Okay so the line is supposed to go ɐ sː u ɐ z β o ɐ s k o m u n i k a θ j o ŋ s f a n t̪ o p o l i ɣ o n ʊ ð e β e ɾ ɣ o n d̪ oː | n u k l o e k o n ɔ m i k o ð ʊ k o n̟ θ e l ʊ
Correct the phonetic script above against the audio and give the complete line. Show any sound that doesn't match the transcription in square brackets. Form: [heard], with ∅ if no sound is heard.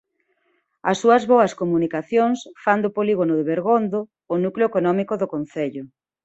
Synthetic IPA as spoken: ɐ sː u ɐ z β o ɐ s k o m u n i k a θ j o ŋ s f a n [d̪] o p o l i ɣ o n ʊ ð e β e ɾ ɣ o n d̪ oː | n u k l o e k o n ɔ m i k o ð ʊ k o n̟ θ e [ʎ] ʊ

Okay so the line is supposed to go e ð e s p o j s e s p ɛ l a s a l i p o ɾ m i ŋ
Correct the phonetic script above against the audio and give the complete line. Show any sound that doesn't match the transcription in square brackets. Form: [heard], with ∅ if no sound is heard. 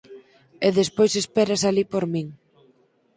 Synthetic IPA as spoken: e ð e s p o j s e s p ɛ [ɾ] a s a l i p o ɾ m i ŋ

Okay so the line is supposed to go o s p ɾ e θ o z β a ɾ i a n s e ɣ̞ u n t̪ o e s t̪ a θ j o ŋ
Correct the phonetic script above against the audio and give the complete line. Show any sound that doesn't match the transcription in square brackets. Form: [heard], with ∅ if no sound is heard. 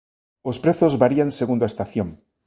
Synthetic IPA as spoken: o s p ɾ e θ o z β a ɾ i a n s e ɣ̞ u n [d̪] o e s t̪ a θ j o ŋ

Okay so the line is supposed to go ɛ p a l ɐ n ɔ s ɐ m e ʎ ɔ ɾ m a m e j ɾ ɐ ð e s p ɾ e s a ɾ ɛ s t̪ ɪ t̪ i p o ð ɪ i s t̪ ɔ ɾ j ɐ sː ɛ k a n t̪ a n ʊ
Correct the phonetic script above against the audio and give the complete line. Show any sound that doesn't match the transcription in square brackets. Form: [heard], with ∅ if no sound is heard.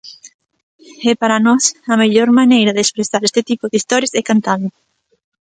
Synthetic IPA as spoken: ɛ p a [ɾ] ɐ n ɔ s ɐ m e ʎ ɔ ɾ m a [n] e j ɾ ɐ ð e s p ɾ e s a ɾ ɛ s t̪ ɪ t̪ i p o ð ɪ i s t̪ ɔ ɾ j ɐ [s] ɛ k a n t̪ a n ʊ

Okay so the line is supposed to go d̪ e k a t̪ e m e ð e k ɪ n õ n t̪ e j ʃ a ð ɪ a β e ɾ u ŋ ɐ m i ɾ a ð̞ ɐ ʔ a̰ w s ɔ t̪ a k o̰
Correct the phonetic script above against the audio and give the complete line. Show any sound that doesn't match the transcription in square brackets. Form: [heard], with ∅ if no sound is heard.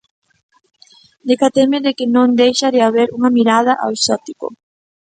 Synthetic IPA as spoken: d̪ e k a t̪ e m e ð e k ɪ n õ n [d̪] e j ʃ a ð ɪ a β e ɾ u ŋ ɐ m i ɾ a ð̞ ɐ ʔ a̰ w s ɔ t̪ [i] k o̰

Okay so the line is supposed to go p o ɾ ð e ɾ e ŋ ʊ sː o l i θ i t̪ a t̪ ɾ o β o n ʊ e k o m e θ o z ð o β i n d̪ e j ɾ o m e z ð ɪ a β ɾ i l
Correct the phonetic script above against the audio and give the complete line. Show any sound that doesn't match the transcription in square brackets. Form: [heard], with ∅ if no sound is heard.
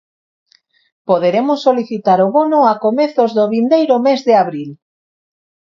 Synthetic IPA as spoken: p o [∅] ð e ɾ e [m] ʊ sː o l i θ i t̪ a [∅] ɾ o β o n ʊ [a] k o m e θ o z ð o β i n d̪ e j ɾ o m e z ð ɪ a β ɾ i l

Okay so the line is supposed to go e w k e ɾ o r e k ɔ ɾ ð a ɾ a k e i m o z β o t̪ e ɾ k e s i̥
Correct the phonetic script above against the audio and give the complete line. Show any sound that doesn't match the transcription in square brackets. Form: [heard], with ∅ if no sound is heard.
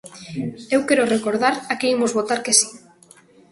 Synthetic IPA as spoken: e w k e ɾ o r e k [o] ɾ ð a ɾ a k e i m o z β o t̪ [a] ɾ k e s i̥

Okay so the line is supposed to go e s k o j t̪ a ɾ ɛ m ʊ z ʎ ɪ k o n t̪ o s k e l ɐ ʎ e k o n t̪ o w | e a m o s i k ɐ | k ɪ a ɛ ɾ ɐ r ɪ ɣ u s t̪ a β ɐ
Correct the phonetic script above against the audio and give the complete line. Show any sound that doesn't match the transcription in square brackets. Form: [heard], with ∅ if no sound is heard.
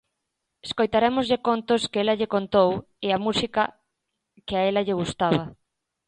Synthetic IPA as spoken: e s k o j t̪ a ɾ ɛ m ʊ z ʎ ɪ k o n t̪ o s k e l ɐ ʎ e k o n t̪ o w | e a m [u] s i k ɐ | k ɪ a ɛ [l] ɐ [ʎ] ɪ ɣ u s t̪ a β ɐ

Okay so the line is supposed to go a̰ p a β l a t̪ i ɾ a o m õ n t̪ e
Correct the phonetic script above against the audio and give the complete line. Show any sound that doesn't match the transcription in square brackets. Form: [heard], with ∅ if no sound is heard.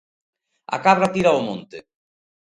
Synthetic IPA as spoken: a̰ [k] a β [ɾ] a t̪ i ɾ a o m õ n t̪ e

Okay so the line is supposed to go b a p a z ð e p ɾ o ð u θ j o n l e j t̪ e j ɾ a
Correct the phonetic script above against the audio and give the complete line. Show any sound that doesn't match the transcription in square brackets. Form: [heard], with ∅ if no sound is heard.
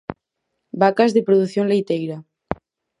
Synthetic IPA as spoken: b a [k] a z ð e p ɾ o ð u θ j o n l e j t̪ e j ɾ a

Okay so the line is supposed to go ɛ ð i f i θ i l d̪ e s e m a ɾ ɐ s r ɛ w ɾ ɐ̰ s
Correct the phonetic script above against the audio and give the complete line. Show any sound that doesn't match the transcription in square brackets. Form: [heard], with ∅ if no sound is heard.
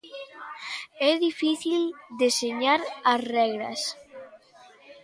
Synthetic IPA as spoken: ɛ ð i f i θ i l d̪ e s e [ɲ] a ɾ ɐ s r ɛ [ɣ] ɾ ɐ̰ s

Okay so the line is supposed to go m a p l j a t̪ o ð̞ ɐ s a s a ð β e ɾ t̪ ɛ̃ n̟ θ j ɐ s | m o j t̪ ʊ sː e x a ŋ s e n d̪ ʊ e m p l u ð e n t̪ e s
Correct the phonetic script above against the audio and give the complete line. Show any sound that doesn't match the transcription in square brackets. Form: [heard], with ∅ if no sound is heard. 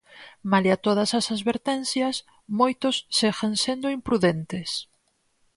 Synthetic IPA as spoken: m a [∅] l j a t̪ o ð̞ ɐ s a s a ð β e ɾ t̪ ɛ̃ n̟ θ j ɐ s | m o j t̪ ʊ sː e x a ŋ s e n d̪ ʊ [i] m p [ɾ] u ð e n t̪ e s

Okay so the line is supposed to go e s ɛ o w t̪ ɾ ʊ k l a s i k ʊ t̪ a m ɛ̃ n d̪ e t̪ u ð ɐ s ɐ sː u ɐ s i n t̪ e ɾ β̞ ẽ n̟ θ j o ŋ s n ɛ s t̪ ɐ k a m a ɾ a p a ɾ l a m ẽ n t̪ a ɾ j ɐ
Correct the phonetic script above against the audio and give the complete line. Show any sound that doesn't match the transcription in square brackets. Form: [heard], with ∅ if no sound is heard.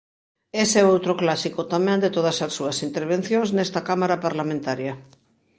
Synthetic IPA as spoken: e s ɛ o w t̪ ɾ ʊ k l a s i k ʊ t̪ a m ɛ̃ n d̪ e t̪ [o] ð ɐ s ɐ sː u ɐ s i n t̪ e ɾ β̞ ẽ n̟ θ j o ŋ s n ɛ s t̪ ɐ k a m a ɾ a p a ɾ l a m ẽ n t̪ a ɾ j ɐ

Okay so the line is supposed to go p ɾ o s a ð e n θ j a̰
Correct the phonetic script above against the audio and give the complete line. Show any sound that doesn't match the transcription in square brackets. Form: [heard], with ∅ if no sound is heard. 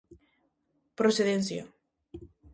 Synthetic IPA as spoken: p ɾ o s [e] ð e n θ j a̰

